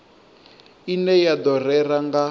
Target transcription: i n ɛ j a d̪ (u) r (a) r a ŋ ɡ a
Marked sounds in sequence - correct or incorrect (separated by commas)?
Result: incorrect, incorrect